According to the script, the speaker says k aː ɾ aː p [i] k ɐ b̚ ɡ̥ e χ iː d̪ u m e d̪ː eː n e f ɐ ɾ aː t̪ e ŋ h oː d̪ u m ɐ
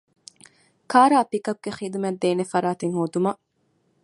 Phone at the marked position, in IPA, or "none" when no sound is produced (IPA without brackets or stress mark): i